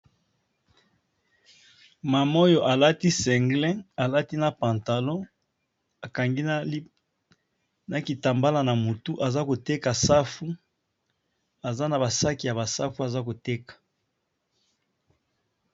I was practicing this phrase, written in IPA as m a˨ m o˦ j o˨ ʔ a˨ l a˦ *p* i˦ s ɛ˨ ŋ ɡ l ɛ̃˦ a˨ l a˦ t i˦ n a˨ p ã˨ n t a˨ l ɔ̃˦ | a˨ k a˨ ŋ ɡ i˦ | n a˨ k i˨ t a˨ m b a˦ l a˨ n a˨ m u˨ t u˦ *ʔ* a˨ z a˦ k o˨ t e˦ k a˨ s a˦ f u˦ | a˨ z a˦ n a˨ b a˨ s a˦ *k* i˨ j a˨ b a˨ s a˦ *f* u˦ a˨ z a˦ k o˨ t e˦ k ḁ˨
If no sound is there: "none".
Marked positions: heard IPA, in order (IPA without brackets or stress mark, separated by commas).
t, ʔ, k, f